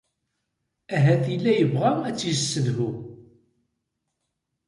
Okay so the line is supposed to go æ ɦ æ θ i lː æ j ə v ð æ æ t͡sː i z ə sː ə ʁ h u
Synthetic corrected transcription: æ ɦ æ θ i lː æ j ə v ʁ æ æ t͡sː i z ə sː ə ð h u